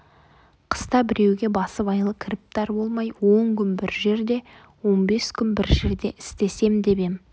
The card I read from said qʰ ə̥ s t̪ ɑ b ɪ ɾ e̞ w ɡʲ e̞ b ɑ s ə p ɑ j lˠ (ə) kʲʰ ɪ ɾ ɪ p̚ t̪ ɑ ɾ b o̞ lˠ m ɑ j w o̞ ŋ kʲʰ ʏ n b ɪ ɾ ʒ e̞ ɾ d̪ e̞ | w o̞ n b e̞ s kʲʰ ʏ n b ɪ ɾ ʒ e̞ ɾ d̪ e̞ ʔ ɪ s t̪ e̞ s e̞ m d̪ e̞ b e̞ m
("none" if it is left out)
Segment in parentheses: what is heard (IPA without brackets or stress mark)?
ə